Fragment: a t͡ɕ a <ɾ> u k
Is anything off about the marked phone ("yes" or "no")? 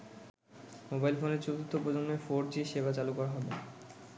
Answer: yes